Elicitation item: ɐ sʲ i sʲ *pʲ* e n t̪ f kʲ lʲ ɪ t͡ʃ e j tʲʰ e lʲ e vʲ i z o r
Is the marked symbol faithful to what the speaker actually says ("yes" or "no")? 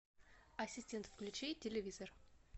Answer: no